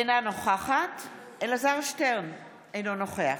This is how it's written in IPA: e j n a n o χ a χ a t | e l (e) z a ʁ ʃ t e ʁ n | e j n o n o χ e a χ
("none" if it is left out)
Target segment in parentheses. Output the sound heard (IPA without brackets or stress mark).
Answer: a